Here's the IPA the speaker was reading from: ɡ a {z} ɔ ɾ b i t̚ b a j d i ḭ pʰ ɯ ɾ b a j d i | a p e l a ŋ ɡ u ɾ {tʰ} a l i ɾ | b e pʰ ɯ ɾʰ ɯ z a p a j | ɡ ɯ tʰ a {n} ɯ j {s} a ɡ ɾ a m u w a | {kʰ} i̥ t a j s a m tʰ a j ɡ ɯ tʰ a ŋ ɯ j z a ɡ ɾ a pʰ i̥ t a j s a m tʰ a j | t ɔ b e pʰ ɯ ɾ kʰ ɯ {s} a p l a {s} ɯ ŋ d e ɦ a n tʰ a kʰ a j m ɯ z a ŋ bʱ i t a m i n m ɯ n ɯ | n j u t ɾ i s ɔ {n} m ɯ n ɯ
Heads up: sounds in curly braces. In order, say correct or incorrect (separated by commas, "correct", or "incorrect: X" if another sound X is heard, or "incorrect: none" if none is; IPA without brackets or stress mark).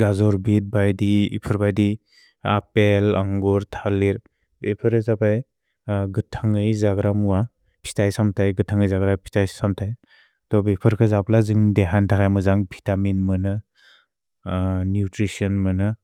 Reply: correct, correct, incorrect: ŋ, incorrect: z, incorrect: pʰ, incorrect: z, incorrect: z, correct